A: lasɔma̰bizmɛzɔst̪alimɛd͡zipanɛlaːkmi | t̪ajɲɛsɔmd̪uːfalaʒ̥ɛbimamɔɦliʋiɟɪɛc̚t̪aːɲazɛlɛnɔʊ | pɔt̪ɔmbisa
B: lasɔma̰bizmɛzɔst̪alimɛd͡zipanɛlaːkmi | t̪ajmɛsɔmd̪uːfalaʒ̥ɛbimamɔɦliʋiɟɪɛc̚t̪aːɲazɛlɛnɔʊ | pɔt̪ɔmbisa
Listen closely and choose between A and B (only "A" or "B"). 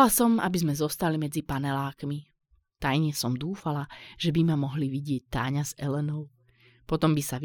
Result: A